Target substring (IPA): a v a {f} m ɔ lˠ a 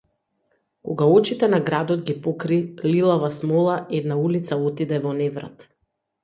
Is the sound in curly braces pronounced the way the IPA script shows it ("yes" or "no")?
no